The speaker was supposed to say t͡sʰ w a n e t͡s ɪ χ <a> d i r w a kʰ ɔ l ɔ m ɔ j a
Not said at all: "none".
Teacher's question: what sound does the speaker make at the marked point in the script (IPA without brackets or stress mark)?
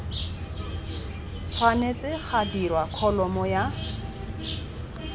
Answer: a